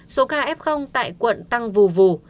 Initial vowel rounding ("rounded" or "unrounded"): rounded